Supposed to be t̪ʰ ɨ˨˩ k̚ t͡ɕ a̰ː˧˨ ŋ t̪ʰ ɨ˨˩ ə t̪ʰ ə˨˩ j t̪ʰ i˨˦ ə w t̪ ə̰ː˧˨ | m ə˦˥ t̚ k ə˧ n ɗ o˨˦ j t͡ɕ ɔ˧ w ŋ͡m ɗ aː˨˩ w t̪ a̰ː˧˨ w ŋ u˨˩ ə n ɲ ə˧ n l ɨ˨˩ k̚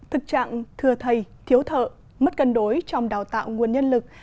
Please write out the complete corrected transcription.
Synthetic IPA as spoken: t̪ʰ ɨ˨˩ k̚ t͡ɕ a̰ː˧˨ ŋ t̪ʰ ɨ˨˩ ə t̪ʰ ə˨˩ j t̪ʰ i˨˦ ə w t̪ʰ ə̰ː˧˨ | m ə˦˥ t̚ k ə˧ n ɗ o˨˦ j t͡ɕ ɔ˧ w ŋ͡m ɗ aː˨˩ w t̪ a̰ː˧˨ w ŋ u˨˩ ə n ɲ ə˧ n l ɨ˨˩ k̚